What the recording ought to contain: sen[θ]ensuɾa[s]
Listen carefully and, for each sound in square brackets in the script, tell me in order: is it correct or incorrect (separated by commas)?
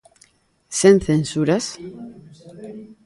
correct, correct